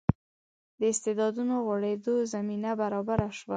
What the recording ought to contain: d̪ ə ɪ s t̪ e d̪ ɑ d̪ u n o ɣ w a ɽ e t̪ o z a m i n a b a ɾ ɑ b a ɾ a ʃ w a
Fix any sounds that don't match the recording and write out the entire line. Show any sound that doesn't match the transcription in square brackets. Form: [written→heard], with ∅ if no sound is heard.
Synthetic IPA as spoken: d̪ ə ɪ s t̪ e d̪ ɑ d̪ u n o ɣ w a ɽ e [t̪→d̪] o z a m i n a b a ɾ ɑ b a ɾ a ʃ w a